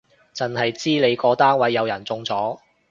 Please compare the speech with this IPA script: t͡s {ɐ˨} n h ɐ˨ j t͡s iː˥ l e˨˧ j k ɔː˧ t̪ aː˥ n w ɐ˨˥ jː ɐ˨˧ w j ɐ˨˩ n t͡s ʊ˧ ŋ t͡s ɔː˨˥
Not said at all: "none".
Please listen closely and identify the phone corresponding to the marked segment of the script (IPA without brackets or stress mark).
ɐ˨